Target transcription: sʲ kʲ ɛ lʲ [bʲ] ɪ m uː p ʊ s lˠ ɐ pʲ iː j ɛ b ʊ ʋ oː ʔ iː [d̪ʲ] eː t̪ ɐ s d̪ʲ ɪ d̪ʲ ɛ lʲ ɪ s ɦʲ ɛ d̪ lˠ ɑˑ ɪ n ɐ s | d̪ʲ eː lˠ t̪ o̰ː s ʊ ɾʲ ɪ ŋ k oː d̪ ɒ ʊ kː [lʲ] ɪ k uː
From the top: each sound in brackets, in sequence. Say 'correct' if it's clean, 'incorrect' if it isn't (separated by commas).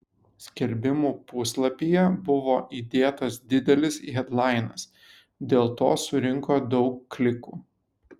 correct, correct, correct